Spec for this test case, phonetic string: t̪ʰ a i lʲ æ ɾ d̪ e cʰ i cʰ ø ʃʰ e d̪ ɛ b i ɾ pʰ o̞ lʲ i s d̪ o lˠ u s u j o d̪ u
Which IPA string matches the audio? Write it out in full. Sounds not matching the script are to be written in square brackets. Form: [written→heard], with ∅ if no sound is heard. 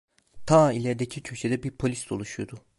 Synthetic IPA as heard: t̪ʰ a i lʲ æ ɾ d̪ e cʰ i cʰ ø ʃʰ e d̪ ɛ b i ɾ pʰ o̞ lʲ i s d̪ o lˠ u [s→ʃ] u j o d̪ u